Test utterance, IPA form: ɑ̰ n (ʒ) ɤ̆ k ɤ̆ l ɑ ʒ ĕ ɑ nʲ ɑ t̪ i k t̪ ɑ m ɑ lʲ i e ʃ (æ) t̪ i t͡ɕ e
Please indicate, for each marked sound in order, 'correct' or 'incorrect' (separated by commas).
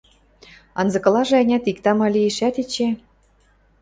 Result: incorrect, correct